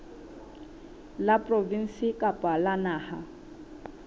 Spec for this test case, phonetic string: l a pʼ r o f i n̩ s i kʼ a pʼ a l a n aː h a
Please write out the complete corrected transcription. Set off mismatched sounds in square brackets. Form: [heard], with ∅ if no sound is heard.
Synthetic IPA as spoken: l a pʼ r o [v] i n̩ s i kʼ a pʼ a l a n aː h a

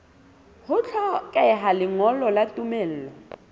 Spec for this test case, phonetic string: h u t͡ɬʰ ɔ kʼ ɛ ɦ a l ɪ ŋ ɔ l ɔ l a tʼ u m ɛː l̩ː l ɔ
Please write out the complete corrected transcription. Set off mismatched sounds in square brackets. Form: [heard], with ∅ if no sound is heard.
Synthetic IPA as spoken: h [ʊ] t͡ɬʰ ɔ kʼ ɛ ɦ a l ɪ ŋ ɔ l ɔ l a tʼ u m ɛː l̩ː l ɔ

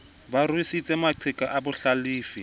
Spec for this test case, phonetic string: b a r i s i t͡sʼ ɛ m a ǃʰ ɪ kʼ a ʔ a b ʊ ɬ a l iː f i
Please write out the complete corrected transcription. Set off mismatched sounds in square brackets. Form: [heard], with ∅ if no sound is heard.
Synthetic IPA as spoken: b a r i s i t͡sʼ ɛ m a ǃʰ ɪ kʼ a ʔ a b ʊ ɬ a l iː f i

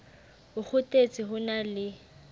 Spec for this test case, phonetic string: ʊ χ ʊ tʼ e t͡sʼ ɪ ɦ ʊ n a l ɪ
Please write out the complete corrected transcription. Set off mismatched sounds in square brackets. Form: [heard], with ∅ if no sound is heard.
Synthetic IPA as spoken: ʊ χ ʊ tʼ e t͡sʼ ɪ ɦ ʊ n a l ɪ

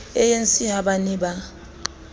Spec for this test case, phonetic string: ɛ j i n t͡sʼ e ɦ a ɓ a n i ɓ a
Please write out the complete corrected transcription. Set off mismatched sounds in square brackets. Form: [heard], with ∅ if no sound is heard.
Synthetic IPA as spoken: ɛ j [e] n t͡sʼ [i] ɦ a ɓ a n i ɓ a

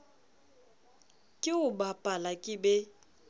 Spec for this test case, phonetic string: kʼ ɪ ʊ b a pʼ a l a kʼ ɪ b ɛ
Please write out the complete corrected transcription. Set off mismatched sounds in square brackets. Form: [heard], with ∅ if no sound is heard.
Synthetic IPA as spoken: kʼ ɪ ʊ b a pʼ a l a kʼ ɪ b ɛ

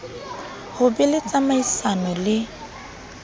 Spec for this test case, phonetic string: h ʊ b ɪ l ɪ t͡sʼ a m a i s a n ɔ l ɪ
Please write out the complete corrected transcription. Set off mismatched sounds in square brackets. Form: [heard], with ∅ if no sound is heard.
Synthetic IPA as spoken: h ʊ b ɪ l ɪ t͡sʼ a m a i s a n ɔ l ɪ

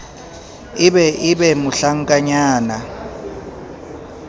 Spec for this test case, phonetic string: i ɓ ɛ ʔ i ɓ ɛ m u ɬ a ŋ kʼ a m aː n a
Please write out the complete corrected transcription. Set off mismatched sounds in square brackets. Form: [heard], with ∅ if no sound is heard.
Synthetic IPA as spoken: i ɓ ɛ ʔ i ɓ ɛ m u ɬ a ŋ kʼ a [ɲ] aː n a

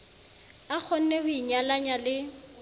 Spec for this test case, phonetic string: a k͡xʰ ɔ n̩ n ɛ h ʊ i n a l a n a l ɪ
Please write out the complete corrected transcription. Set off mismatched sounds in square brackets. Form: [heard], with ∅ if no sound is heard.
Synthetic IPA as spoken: a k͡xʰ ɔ n̩ n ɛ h ʊ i [ɲ] a l a [ɲ] a l ɪ

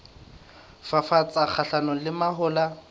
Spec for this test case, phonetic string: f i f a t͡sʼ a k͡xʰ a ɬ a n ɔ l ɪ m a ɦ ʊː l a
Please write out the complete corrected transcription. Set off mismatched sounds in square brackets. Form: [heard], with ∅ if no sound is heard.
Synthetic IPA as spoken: f [a] f a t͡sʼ a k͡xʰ a ɬ a n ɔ l ɪ m a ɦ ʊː l a

